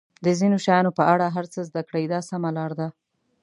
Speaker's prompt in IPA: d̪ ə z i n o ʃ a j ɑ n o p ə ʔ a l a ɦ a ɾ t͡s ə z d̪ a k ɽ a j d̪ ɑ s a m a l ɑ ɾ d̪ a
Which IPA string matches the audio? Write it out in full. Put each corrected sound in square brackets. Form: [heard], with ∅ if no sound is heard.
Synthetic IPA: d̪ ə z i n o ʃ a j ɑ n o p ə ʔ a [ɽ] a ɦ a ɾ t͡s ə z d̪ a k ɽ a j d̪ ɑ s a m a l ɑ ɾ d̪ a